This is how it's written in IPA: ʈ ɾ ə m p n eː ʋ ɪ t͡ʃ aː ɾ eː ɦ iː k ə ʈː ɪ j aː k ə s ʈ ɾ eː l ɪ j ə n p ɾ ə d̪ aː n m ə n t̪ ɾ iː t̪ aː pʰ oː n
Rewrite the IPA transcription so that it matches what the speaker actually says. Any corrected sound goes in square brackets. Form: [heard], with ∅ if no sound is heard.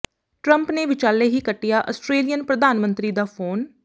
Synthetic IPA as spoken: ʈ ɾ ə m p n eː ʋ ɪ t͡ʃ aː [l] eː ɦ iː k ə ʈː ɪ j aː [ʔ] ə s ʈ ɾ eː l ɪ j ə n p ɾ ə d̪ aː n m ə n t̪ ɾ iː [d̪] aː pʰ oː n